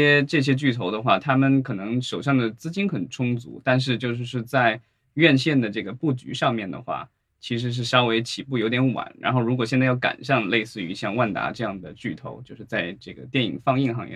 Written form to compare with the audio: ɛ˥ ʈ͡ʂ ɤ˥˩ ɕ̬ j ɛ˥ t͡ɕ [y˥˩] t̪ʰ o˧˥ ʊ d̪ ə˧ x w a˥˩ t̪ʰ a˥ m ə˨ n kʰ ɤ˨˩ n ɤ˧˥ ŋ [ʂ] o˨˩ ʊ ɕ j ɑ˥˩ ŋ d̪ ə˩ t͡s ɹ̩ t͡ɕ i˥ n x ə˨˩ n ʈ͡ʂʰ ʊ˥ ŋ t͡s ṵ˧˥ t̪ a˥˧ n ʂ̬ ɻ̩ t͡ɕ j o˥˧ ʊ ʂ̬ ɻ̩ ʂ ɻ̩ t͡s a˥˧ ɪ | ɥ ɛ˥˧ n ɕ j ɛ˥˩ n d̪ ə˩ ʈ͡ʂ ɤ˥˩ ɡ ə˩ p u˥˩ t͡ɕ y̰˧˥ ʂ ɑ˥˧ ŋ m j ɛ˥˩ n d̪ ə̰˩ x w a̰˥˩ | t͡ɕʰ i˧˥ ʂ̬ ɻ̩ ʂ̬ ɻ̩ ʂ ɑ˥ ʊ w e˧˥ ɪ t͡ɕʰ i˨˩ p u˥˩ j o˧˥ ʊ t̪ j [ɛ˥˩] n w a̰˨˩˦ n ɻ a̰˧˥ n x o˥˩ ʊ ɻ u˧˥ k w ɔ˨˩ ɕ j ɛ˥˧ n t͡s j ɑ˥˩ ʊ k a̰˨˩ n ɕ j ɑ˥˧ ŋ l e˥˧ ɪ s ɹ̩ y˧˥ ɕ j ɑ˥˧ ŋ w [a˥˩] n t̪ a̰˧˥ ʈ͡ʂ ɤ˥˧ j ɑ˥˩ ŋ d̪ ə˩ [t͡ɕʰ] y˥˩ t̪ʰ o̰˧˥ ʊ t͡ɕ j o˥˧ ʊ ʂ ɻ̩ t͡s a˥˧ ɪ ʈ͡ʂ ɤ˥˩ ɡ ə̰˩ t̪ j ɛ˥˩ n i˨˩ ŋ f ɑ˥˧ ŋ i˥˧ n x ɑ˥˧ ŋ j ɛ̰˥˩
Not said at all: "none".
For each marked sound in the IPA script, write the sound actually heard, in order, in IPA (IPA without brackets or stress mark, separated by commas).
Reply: y˥˩, ʂ, ɛ˧˥, a˥˩, t͡ɕ